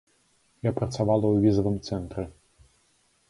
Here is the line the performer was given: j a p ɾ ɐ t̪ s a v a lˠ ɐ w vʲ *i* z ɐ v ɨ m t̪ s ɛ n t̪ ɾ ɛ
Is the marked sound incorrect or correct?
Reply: correct